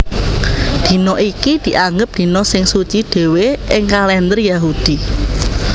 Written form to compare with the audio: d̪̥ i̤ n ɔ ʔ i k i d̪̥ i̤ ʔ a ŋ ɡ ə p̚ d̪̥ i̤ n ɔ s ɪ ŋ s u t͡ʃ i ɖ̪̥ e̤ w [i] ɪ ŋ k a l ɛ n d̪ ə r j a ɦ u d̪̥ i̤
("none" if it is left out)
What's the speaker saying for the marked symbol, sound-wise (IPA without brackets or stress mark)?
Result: e